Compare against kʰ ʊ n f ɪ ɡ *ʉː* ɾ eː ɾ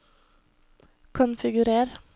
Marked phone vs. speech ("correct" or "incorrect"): incorrect